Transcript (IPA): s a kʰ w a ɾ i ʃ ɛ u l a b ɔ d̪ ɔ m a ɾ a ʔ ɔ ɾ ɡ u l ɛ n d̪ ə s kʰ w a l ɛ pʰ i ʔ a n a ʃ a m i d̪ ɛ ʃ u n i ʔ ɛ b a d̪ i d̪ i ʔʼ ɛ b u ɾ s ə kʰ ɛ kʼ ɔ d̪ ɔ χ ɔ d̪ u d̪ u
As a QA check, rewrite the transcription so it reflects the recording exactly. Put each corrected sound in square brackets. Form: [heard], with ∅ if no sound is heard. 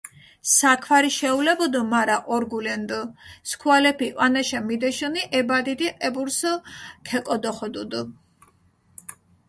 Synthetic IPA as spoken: s a kʰ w a ɾ i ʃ ɛ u l [ɛ] b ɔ d̪ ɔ m a ɾ a ʔ ɔ ɾ ɡ u l ɛ n d̪ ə s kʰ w a l ɛ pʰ i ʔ a n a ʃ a m i d̪ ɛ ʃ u n i ʔ ɛ b a d̪ i d̪ i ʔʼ ɛ b u ɾ s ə kʰ ɛ kʼ ɔ d̪ ɔ χ ɔ d̪ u d̪ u